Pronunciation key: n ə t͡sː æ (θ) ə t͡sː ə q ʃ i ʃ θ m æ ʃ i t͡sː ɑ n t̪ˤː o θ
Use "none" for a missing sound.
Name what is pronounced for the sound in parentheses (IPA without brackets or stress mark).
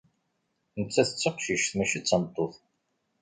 θ